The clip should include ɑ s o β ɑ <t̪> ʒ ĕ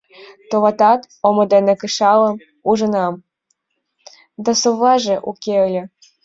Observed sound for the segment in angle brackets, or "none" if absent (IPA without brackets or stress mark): none